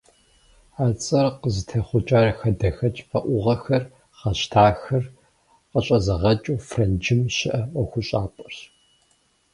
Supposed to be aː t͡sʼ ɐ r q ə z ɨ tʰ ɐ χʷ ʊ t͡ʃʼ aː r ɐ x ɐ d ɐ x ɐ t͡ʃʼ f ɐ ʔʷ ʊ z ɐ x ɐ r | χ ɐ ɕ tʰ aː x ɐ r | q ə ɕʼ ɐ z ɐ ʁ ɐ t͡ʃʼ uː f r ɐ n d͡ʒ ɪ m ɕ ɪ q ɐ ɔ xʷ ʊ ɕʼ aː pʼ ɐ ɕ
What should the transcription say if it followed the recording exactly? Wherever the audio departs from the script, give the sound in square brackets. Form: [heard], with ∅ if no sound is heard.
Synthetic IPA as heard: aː t͡sʼ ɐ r q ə z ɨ tʰ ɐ χʷ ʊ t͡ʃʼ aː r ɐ x ɐ d ɐ x ɐ t͡ʃʼ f ɐ ʔʷ ʊ [ʁ] ɐ x ɐ r | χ ɐ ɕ tʰ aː x ɐ r | q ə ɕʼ ɐ z ɐ ʁ ɐ t͡ʃʼ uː f r ɐ n d͡ʒ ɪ m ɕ ɪ [ʔ] ɐ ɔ xʷ ʊ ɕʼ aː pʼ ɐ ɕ